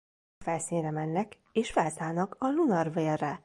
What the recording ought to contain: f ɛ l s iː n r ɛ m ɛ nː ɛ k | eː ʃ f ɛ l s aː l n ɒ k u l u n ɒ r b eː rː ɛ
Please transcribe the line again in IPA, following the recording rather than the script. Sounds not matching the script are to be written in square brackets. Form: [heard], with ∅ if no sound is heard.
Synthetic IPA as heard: f ɛ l s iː n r ɛ m ɛ nː ɛ k | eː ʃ f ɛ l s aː l n ɒ k [ɒ] l u n ɒ r [v] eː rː ɛ